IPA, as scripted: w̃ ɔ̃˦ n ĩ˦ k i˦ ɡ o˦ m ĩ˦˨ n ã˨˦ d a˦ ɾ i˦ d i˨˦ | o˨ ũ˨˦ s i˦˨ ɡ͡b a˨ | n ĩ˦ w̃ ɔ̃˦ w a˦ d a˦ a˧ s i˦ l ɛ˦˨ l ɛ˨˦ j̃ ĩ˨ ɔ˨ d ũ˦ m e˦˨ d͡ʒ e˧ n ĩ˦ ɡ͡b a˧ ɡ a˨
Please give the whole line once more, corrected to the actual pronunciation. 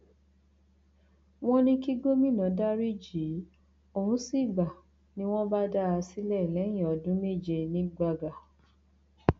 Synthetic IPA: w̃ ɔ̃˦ n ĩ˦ k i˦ ɡ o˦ m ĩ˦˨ n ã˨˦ d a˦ ɾ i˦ d͡ʒ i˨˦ | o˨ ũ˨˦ s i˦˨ ɡ͡b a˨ | n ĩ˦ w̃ ɔ̃˦ b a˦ d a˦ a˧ s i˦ l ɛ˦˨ l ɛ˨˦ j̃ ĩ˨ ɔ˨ d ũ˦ m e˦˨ d͡ʒ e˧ n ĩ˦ ɡ͡b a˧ ɡ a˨